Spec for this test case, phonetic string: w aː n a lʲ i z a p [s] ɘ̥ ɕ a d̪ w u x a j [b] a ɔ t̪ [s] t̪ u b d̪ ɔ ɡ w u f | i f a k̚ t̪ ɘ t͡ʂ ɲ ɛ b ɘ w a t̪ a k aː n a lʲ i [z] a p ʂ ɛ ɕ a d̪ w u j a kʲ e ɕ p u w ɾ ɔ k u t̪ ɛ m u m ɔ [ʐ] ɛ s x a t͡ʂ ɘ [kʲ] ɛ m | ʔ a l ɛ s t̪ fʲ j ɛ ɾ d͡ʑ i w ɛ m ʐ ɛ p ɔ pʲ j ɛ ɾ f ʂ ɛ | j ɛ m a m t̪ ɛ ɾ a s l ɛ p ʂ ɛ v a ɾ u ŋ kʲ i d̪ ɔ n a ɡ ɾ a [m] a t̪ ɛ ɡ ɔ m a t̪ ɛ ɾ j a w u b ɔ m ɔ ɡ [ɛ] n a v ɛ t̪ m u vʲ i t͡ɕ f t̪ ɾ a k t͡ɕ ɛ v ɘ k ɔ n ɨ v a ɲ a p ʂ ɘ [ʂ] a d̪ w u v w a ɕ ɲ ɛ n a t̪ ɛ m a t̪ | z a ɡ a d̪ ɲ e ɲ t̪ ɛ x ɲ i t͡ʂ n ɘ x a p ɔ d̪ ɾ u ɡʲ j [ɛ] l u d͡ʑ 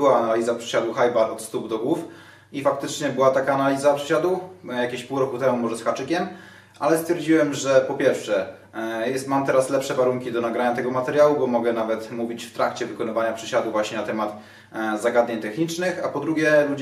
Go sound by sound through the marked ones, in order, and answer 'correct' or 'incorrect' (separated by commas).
incorrect, correct, correct, correct, correct, correct, incorrect, correct, incorrect, correct